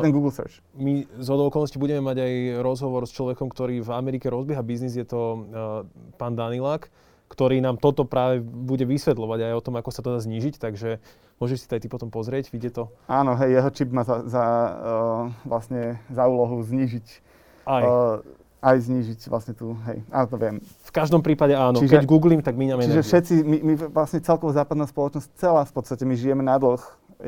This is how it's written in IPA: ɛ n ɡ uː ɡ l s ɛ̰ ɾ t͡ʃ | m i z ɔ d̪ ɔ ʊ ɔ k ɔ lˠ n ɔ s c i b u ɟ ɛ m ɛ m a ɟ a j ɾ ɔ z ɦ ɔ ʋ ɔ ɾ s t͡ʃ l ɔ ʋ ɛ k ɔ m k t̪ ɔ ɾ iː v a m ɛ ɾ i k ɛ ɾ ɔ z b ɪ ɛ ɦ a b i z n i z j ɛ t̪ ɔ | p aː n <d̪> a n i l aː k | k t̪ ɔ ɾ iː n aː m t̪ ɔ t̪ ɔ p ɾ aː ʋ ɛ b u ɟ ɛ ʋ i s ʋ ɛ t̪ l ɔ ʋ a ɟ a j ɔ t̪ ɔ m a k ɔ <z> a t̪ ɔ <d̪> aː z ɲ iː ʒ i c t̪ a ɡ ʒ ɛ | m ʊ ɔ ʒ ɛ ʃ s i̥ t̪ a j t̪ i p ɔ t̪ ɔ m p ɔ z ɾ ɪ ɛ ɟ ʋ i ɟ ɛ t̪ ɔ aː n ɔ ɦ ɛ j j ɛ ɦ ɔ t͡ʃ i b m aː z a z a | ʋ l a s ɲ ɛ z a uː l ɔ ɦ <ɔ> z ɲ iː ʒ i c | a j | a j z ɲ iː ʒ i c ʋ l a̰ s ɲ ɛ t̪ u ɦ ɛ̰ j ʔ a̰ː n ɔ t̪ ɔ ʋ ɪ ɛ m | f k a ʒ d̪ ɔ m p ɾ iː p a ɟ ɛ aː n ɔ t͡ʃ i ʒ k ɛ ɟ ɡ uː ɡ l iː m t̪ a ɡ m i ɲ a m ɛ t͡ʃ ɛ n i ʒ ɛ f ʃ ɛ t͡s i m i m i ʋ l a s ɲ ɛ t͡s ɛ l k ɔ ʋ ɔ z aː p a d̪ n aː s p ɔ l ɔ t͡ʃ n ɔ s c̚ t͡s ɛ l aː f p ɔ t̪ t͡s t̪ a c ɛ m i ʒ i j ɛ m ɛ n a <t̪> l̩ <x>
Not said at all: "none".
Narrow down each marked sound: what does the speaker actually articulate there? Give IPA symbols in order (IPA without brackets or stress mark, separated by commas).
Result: d̪, s, d̪, u, d̪, x